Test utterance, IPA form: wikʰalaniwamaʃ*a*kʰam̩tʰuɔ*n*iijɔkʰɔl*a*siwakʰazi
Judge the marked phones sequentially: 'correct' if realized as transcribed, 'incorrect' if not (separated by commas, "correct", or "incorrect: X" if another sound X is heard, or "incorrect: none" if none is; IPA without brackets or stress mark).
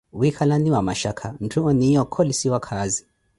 correct, correct, incorrect: i